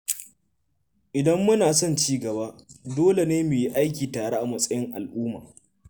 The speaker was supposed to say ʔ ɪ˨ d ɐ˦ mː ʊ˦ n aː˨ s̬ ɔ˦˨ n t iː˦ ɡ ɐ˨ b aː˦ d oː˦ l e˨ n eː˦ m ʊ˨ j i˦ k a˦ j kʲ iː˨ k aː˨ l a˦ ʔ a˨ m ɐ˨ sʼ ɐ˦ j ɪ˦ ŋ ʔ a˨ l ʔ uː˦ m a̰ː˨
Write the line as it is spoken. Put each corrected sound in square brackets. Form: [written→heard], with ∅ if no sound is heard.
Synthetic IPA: ʔ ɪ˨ d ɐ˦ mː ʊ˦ n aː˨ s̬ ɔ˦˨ n [t→t͡ʃ] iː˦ ɡ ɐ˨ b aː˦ d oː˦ l e˨ n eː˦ m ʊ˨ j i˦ [k→ʔ] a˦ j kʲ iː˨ [k→t] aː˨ [l→ɽ] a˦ ʔ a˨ m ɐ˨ sʼ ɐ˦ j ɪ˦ ŋ ʔ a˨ l ʔ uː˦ m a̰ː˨